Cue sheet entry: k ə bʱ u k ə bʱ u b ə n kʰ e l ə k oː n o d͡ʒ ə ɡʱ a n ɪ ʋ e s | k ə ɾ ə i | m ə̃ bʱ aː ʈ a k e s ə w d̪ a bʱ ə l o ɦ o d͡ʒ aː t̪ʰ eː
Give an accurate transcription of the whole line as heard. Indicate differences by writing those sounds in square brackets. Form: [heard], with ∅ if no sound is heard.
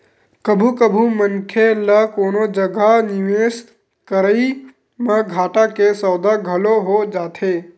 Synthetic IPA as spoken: k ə bʱ u k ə bʱ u [m] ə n kʰ e l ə k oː n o d͡ʒ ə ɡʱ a n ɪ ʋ e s | k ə ɾ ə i | m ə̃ [ɡʱ] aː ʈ a k e s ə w d̪ a [ɡʱ] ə l o ɦ o d͡ʒ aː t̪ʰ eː